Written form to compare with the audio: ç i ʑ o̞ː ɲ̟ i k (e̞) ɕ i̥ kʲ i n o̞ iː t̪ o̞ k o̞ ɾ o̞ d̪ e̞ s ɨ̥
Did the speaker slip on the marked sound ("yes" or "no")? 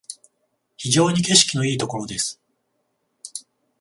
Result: no